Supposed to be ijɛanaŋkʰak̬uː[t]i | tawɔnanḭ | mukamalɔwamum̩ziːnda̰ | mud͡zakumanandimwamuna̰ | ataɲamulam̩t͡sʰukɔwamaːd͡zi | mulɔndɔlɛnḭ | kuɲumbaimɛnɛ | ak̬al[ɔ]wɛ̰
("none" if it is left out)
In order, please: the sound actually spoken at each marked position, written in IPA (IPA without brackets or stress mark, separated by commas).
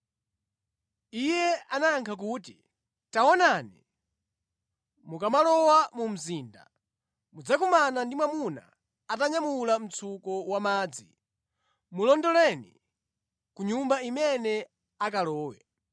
t, ɔː